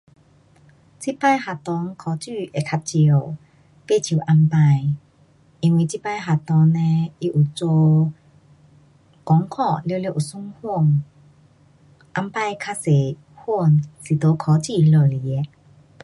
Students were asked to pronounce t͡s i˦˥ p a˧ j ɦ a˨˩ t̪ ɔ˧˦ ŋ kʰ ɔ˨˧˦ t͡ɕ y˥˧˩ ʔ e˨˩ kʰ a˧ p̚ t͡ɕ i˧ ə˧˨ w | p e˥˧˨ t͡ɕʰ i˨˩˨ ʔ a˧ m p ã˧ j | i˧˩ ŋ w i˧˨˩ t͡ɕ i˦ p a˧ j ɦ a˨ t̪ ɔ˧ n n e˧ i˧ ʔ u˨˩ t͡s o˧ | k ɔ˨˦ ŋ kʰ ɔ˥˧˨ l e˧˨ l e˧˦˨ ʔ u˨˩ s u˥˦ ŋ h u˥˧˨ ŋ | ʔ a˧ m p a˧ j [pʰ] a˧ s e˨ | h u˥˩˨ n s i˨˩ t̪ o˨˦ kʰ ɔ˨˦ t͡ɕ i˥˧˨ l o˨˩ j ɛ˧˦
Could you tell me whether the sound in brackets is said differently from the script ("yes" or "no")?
yes